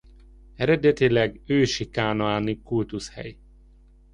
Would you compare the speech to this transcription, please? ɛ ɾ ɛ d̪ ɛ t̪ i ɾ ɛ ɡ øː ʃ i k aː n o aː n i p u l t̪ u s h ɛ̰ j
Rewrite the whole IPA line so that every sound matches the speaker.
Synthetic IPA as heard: ɛ ɾ ɛ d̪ ɛ t̪ i l ɛ ɡ øː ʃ i k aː n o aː n i k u l t̪ u s h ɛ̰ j